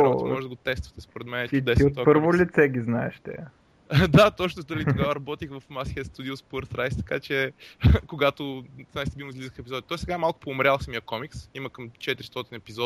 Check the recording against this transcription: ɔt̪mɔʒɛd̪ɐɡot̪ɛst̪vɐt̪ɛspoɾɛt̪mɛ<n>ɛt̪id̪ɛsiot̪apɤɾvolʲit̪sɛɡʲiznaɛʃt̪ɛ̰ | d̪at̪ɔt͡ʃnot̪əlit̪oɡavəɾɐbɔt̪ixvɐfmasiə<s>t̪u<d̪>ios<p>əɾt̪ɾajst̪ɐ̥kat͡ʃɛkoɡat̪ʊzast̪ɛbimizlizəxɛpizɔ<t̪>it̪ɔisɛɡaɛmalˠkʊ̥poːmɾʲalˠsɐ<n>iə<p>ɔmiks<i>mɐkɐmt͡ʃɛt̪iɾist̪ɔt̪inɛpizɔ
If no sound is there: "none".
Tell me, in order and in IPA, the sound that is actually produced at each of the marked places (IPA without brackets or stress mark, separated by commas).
n, s, d̪, p, d̪, m, k, i